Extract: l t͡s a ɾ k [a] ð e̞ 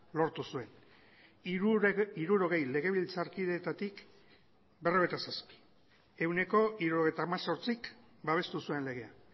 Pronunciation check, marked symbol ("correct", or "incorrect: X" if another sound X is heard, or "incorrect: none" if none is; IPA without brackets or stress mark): incorrect: i